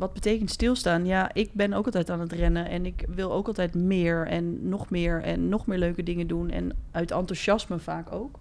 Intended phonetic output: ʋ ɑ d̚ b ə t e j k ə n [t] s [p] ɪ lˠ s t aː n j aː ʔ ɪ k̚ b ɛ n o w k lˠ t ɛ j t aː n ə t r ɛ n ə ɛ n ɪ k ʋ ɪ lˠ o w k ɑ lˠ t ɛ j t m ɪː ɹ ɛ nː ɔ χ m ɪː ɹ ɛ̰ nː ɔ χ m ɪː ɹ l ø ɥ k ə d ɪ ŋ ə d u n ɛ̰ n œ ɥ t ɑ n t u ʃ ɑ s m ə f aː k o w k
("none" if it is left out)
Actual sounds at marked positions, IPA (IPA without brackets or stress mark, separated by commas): t, t